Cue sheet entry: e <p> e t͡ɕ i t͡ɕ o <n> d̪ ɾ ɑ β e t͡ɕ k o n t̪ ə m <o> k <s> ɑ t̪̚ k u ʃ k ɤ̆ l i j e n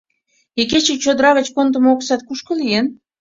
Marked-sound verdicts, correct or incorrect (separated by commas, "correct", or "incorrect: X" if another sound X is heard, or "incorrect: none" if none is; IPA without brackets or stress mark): incorrect: k, incorrect: none, correct, correct